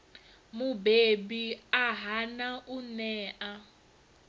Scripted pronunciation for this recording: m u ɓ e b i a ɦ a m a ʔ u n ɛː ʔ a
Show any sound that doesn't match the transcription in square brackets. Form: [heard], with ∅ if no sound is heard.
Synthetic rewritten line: m u [b] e b i a ɦ a [n] a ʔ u n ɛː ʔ a